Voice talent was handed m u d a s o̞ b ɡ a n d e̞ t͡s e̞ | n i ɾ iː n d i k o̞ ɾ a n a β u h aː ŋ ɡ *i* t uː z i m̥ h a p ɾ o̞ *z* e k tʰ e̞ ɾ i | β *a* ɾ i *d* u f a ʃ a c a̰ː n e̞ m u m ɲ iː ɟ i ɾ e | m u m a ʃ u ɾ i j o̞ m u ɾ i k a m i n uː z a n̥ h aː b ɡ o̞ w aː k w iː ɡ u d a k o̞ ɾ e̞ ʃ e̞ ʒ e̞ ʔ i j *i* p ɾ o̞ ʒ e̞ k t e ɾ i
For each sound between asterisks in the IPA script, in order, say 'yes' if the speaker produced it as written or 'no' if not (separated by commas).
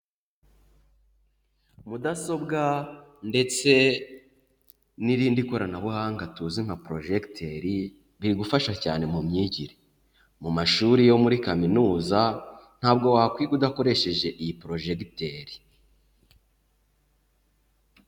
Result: no, no, no, no, yes